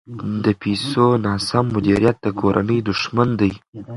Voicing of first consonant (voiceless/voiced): voiced